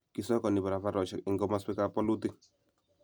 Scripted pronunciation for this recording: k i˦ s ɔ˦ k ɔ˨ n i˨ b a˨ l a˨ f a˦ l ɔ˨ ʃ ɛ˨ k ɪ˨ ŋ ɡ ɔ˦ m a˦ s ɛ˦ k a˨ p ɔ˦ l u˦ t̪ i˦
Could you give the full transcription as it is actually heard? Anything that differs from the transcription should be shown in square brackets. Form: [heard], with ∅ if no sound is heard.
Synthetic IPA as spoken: k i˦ s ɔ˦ k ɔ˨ n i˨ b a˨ [ɾ] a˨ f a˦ [ɾ] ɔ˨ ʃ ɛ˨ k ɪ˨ ŋ ɡ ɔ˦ m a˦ s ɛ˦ k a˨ p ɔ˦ l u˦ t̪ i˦